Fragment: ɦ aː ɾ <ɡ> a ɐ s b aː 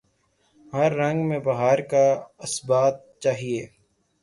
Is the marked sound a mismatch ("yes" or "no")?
yes